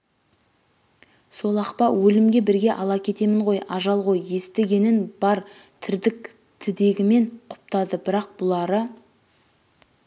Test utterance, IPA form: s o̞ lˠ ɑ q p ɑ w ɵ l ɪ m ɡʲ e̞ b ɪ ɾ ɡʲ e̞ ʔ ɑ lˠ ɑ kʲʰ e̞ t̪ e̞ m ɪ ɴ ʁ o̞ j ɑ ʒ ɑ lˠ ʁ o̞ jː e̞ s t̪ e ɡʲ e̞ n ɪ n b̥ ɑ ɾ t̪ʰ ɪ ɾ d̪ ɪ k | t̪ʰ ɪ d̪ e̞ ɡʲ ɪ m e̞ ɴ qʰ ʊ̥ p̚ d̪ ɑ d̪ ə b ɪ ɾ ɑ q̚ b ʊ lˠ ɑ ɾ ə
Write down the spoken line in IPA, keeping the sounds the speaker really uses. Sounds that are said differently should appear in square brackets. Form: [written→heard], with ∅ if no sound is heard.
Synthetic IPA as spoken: s o̞ lˠ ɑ q p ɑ w ɵ l ɪ m ɡʲ e̞ b ɪ ɾ ɡʲ e̞ ʔ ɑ lˠ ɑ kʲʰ e̞ t̪ e̞ m ɪ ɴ ʁ o̞ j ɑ ʒ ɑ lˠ ʁ o̞ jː e̞ s t̪ e ɡʲ e̞ n ɪ n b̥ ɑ ɾ t̪ʰ ɪ ɾ d̪ ɪ k | t̪ʰ ɪ d̪ e̞ ɡʲ ɪ m e̞ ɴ qʰ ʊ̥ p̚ [d̪→t̪] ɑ d̪ ə b ɪ ɾ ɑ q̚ b ʊ lˠ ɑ ɾ ə